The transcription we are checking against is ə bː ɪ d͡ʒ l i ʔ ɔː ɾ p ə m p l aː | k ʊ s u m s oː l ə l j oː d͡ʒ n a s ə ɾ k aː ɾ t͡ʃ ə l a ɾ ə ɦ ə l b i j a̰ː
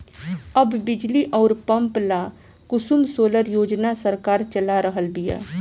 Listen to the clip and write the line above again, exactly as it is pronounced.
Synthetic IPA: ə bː ɪ d͡ʒ l i ʔ ɔː ɾ p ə m p l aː | k ʊ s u m s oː l ə ɾ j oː d͡ʒ n a s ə ɾ k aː ɾ t͡ʃ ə l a ɾ ə ɦ ə l b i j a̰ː